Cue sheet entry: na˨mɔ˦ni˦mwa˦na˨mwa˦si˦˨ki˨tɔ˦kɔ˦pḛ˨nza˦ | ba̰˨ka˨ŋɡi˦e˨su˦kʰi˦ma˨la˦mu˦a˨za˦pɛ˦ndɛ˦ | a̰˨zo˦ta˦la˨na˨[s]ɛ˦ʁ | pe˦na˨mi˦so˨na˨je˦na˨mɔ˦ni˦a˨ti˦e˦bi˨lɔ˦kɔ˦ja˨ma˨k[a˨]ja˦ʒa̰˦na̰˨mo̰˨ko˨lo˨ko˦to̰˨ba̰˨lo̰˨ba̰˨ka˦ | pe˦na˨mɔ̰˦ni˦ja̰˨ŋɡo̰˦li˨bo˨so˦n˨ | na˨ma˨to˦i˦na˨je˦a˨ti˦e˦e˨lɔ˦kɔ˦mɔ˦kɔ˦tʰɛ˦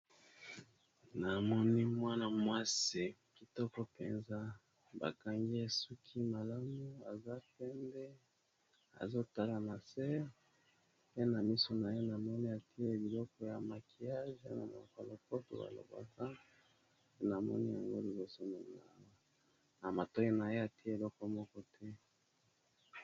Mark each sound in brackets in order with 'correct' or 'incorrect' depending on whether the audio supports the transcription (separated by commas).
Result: correct, incorrect